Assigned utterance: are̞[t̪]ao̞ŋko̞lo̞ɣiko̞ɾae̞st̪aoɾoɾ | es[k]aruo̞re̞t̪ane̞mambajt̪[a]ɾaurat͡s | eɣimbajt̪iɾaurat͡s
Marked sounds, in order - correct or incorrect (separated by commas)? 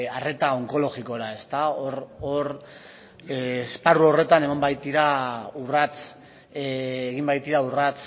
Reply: correct, incorrect, incorrect